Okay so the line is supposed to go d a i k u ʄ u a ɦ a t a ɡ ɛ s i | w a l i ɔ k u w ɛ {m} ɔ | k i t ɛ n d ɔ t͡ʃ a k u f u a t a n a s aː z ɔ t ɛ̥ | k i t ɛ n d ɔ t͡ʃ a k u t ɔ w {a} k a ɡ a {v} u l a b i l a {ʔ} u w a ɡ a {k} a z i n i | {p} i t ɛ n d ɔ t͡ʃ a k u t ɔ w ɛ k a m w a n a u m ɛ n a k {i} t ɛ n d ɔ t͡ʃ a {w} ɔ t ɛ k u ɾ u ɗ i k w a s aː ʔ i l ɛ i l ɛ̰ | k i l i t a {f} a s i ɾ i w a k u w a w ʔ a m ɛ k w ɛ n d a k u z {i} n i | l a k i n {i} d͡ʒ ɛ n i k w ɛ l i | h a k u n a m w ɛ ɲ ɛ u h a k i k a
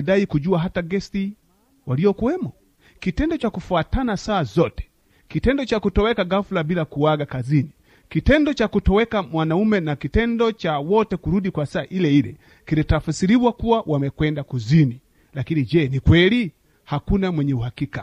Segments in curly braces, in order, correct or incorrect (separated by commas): correct, incorrect, incorrect, incorrect, correct, incorrect, correct, correct, correct, correct, correct